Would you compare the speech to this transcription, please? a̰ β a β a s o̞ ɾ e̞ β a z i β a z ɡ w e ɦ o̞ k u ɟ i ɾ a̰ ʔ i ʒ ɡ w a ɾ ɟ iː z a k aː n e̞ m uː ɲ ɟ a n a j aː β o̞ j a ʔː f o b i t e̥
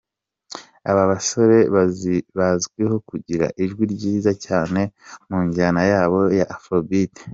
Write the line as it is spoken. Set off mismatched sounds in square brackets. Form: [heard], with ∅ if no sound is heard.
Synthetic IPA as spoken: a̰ β a β a s o̞ ɾ e̞ β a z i β a z ɡ w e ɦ o̞ k u ɟ i ɾ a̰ ʔ i ʒ ɡ w [i] ɾ ɟ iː z a [c] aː n e̞ m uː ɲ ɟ a n a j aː β o̞ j a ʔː f o b i t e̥